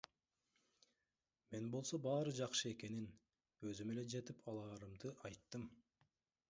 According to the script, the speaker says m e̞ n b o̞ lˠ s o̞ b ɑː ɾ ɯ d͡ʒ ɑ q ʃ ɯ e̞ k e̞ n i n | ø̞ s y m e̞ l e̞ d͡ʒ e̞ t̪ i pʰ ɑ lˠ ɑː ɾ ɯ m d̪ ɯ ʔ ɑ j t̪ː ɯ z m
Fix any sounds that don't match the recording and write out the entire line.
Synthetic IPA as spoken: m e̞ n b o̞ lˠ s o̞ b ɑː ɾ ɯ d͡ʒ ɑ q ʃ ɯ e̞ k e̞ n i n | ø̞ z y m e̞ l e̞ d͡ʒ e̞ t̪ i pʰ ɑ lˠ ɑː ɾ ɯ m d̪ ɯ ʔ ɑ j t̪ː ɯ m